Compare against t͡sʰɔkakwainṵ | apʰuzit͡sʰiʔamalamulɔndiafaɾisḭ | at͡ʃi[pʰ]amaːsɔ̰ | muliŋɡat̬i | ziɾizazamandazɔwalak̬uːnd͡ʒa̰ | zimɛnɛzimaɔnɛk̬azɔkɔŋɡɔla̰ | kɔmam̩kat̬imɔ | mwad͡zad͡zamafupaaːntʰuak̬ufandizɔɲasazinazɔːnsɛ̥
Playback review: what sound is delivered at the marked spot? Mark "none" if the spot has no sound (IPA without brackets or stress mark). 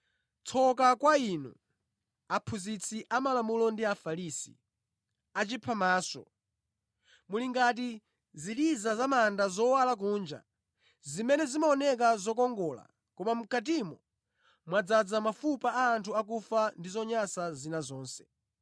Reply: pʰ